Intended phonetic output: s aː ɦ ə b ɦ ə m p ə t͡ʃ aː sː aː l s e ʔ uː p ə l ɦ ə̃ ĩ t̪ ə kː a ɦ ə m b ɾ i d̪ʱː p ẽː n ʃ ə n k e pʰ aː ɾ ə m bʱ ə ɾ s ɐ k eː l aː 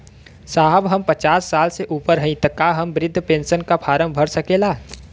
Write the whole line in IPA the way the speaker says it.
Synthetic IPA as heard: s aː ɦ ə b ɦ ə m p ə t͡ʃ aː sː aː l s e ʔ uː p ə ɾ ɦ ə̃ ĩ t̪ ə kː a ɦ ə m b ɾ ɪ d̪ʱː p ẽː n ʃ ə n k a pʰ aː ɾ ə m bʱ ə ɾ s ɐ k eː l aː